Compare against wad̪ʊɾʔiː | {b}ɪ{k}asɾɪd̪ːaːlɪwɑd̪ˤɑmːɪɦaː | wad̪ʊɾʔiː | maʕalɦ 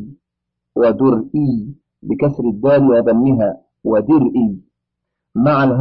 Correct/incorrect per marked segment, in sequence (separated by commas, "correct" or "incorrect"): correct, correct